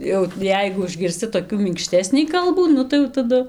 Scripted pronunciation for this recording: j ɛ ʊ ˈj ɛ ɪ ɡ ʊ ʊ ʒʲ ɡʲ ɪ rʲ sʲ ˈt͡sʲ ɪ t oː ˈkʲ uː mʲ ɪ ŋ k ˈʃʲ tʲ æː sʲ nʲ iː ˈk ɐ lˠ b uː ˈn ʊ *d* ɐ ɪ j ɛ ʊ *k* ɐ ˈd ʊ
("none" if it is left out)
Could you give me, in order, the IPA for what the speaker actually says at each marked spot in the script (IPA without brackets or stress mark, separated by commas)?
t, t